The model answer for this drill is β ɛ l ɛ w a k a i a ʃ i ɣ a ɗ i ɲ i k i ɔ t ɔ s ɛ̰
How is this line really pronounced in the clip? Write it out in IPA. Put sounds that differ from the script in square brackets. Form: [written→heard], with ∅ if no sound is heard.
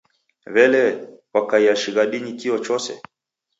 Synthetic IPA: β ɛ l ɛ w a k a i a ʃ i ɣ a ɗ i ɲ i k i ɔ [t→t͡ʃ] ɔ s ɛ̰